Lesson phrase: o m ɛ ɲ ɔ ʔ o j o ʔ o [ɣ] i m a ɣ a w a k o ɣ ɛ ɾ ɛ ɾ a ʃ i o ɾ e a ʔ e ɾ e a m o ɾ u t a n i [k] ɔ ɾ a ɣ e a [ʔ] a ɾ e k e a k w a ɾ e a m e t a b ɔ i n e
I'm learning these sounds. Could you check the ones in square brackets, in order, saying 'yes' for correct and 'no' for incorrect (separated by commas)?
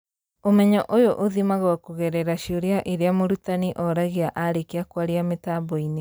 no, no, yes